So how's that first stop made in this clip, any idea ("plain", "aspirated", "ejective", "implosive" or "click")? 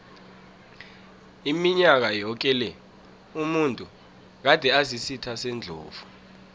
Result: plain